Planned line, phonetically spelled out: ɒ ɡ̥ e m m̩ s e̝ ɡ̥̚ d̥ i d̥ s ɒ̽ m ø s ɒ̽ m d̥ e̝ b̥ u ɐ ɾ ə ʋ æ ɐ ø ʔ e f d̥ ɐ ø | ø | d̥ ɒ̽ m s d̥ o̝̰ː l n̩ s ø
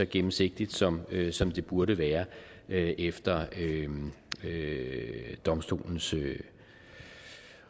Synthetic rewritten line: ɒ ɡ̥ e m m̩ s e̝ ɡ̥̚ d̥ i d̥ s ɒ̽ m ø s ɒ̽ m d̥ e̝ b̥ u ɐ ɾ ə ʋ æː ɐ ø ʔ e f d̥ ɐ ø | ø | d̥ ɒ̽ m s d̥ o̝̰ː l n̩ s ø